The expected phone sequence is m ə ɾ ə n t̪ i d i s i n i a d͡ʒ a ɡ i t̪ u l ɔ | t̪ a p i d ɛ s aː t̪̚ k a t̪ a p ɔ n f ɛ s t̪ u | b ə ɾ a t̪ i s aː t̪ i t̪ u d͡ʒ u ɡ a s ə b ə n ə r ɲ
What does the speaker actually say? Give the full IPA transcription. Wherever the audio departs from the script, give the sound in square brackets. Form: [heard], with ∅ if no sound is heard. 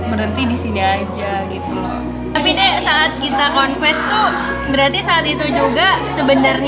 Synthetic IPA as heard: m ə ɾ ə n t̪ i d i s i n i a d͡ʒ a ɡ i t̪ u l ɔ | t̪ a p i d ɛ s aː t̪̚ k [i] t̪ a [k] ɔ n f ɛ s t̪ u | b ə ɾ a t̪ i s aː t̪ i t̪ u d͡ʒ u ɡ a s ə b ə n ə r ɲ